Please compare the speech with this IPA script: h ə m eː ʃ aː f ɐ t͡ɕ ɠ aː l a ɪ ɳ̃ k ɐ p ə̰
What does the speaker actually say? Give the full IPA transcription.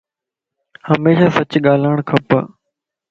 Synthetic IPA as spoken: h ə m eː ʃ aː s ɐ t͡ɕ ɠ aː l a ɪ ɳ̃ kʰ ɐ p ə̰